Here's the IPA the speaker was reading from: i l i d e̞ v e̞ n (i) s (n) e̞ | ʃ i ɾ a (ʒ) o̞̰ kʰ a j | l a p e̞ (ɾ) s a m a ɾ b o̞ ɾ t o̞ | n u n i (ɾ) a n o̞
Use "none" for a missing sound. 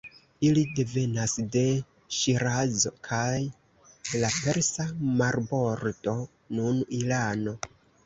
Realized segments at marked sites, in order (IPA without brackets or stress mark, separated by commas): a, d, z, ɾ, l